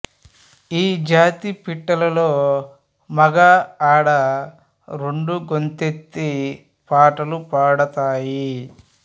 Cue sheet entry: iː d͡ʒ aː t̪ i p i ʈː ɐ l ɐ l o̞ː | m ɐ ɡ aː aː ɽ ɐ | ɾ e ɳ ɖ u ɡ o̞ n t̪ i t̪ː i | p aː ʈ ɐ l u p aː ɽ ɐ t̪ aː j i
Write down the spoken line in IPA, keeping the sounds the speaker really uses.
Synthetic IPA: iː d͡ʒ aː t̪ i p i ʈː ɐ l ɐ l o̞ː | m ɐ ɡ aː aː ɽ ɐ | ɾ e ɳ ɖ u ɡ o̞ n t̪ e t̪ː i | p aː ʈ ɐ l u p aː ɽ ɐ t̪ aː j i

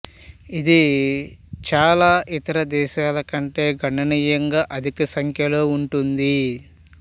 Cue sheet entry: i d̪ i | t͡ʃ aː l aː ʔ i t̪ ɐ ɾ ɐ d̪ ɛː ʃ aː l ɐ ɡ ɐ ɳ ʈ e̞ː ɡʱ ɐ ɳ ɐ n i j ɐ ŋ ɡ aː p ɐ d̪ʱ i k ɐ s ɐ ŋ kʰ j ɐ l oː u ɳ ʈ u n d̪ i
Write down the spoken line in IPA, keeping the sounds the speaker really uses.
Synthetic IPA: i d̪ i | t͡ʃ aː l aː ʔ i t̪ ɐ ɾ ɐ d̪ ɛː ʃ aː l ɐ k ɐ ɳ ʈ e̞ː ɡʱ ɐ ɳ ɐ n i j ɐ ŋ ɡ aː ʔ ɐ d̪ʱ i k ɐ s ɐ ŋ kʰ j ɐ l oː u ɳ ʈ u n d̪ i

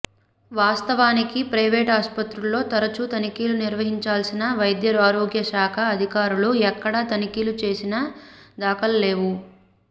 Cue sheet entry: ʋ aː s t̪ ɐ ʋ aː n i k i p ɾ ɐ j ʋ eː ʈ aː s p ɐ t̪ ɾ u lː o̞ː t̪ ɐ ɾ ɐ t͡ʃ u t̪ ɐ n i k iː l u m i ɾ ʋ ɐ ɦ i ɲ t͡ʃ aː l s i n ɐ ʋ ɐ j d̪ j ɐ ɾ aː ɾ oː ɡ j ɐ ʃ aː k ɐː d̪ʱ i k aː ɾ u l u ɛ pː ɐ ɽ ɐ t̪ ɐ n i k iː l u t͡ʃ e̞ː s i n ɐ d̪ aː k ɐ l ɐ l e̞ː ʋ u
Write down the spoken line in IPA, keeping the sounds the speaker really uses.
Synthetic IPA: ʋ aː s t̪ ɐ ʋ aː n i k i p ɾ ɐ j ʋ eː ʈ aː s p ɐ t̪ ɾ u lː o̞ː t̪ ɐ ɾ ɐ t͡ʃ u t̪ ɐ n i k iː l u n i ɾ ʋ ɐ ɦ i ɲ t͡ʃ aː l s i n ɐ ʋ ɐ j d̪ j ɐ ɾ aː ɾ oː ɡ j ɐ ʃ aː kʰ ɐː d̪ʱ i k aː ɾ u l u ɛ kː ɐ ɽ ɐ t̪ ɐ n i k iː l u t͡ʃ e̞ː s i n ɐ d̪ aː k ɐ l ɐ l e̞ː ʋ u

